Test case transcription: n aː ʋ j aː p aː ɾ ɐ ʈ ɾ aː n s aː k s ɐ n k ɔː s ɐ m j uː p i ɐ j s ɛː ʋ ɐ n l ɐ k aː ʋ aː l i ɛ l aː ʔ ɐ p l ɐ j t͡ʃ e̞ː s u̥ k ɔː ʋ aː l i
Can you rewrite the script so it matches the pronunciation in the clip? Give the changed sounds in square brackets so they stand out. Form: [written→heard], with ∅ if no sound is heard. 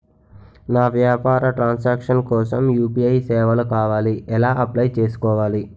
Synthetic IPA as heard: n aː ʋ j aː p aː ɾ ɐ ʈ ɾ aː n s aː k [s→ʂ] ɐ n k ɔː s ɐ m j uː p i ɐ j s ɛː ʋ ɐ [n→∅] l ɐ k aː ʋ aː l i ɛ l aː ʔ ɐ p l ɐ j t͡ʃ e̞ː s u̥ k ɔː ʋ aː l i